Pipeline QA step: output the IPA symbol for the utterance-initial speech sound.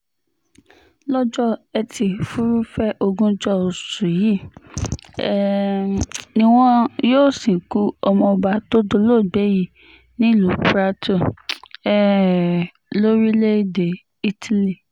l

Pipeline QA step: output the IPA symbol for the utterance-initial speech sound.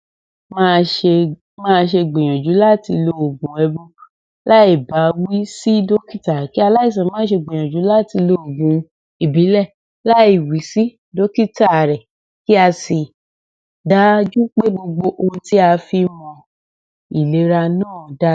m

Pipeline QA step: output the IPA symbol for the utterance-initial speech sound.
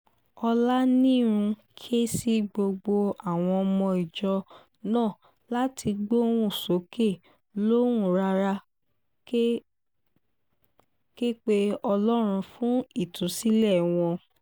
ɔ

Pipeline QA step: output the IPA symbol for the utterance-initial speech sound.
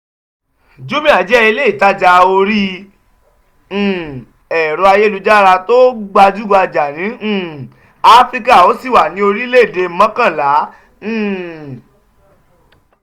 d͡ʒ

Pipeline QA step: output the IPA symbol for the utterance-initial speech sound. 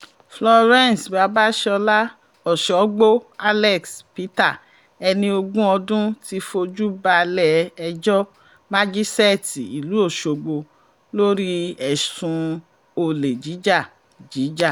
f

